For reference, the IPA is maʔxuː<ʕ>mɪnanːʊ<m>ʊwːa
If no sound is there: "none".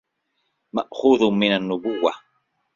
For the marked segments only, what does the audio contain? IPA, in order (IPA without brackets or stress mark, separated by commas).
ð, b